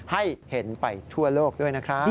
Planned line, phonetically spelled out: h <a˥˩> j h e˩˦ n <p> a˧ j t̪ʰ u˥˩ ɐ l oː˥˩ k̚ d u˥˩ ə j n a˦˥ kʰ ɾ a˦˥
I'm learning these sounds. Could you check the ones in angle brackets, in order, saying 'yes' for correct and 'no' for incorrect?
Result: yes, yes

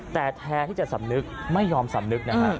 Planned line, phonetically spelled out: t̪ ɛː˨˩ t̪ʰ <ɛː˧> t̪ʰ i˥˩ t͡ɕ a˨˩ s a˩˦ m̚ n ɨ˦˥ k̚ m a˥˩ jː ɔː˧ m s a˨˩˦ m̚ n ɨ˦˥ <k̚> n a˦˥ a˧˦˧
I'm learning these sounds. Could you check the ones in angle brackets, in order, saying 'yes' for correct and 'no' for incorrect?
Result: yes, yes

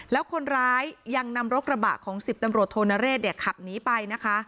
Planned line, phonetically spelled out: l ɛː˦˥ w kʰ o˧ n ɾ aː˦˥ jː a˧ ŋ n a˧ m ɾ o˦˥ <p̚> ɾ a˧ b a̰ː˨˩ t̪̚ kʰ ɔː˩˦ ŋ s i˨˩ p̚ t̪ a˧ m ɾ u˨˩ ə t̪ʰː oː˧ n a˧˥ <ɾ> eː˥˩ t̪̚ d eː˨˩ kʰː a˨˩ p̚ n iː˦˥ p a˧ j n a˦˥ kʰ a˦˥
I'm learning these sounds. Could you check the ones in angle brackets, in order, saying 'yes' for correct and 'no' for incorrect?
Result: no, yes

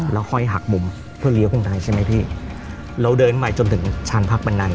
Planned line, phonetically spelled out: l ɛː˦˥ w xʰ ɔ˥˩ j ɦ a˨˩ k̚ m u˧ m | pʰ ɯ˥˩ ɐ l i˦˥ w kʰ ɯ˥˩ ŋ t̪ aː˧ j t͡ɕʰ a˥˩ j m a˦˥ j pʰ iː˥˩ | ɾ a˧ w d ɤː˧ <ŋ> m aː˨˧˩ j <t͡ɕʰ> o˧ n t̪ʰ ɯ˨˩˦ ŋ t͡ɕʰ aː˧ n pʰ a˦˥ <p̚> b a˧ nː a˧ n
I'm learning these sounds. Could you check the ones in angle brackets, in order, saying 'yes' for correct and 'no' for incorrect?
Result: no, no, no

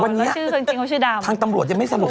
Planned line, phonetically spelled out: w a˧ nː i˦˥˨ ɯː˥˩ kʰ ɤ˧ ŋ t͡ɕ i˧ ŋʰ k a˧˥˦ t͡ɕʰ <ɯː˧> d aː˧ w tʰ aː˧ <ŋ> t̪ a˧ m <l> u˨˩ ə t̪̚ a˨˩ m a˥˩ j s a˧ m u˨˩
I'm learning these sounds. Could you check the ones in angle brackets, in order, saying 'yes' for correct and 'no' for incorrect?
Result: no, yes, no

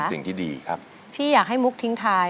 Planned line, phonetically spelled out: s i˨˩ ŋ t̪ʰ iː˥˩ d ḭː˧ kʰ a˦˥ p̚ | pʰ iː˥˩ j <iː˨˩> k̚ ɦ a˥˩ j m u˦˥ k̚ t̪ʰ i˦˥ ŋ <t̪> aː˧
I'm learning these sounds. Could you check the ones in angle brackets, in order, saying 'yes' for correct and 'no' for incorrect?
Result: no, no

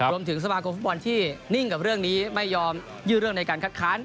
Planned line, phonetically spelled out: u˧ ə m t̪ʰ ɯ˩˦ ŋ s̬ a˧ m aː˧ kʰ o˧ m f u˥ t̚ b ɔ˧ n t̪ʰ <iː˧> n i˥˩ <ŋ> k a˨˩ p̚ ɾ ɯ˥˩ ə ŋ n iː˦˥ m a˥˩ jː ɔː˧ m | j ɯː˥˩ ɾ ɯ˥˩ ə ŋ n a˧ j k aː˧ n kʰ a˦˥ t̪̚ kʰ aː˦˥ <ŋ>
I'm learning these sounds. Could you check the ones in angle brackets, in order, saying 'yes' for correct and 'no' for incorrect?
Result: no, yes, no

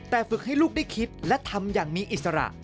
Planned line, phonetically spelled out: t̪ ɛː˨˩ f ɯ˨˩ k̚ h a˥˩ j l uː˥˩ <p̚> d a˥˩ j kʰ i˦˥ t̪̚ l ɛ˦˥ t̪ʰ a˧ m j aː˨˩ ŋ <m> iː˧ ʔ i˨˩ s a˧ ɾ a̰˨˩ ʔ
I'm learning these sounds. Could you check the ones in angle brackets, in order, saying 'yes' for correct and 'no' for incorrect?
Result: no, yes

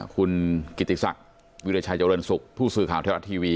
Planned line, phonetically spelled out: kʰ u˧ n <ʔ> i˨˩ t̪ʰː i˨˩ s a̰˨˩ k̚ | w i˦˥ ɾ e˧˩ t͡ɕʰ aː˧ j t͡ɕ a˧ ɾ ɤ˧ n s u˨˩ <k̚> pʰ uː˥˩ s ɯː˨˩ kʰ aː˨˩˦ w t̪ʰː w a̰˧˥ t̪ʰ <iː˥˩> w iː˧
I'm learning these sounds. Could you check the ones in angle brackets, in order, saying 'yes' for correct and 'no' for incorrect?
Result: no, yes, no

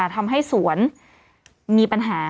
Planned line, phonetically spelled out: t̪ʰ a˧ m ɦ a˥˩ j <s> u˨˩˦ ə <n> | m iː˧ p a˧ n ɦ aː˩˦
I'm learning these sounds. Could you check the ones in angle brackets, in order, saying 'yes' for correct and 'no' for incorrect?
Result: yes, yes

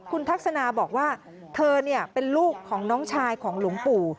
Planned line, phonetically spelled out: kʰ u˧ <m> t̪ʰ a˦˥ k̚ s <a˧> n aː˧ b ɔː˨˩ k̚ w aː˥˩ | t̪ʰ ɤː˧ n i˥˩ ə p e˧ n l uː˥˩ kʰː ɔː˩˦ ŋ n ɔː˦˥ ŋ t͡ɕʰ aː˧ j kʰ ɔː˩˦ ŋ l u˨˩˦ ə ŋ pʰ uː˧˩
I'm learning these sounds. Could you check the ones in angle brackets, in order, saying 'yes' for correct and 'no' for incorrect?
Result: no, yes

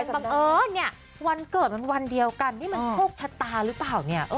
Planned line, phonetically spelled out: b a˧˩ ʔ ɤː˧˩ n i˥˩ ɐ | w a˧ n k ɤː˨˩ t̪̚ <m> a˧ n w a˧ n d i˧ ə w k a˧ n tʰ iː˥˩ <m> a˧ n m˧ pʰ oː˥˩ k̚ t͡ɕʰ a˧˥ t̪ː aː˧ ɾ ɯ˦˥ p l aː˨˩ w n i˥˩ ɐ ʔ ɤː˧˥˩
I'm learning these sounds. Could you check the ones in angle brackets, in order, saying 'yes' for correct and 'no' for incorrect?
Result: yes, yes

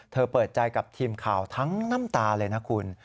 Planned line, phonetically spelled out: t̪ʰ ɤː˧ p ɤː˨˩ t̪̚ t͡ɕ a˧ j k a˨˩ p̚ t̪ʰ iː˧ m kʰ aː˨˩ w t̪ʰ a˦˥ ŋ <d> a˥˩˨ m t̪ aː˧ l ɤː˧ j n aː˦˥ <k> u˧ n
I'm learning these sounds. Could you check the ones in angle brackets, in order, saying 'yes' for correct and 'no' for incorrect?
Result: no, no

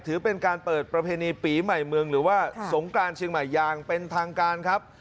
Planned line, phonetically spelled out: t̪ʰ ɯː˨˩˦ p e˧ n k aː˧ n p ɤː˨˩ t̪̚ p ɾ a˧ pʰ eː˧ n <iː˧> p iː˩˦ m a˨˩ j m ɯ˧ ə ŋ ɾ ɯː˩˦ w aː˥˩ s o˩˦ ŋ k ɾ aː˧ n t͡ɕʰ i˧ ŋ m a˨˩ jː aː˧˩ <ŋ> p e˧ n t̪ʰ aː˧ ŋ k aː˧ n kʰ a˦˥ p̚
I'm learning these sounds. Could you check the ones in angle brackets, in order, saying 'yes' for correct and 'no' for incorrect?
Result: yes, yes

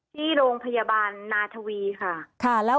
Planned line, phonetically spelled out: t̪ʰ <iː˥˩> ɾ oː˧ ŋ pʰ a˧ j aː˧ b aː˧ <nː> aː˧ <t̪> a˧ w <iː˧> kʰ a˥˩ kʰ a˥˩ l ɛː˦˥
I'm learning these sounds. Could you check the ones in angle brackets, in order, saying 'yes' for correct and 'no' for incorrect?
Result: yes, yes, no, yes

